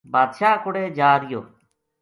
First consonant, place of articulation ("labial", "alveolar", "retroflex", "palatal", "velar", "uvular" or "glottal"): labial